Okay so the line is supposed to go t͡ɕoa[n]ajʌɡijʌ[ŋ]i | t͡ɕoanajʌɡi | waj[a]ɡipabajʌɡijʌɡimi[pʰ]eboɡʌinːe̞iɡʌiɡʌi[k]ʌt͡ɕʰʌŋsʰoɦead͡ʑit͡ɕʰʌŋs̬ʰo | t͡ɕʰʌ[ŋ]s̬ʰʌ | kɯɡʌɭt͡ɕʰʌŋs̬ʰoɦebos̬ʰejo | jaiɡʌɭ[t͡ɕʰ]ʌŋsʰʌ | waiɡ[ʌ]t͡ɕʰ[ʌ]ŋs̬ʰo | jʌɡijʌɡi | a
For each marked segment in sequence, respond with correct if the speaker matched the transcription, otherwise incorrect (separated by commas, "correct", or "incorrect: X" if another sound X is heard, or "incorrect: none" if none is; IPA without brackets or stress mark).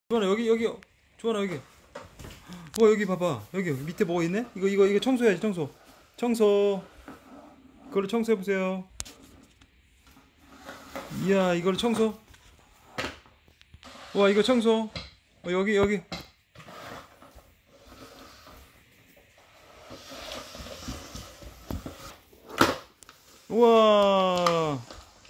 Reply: correct, incorrect: ɡ, incorrect: ʌ, incorrect: tʰ, incorrect: ɡ, correct, correct, correct, correct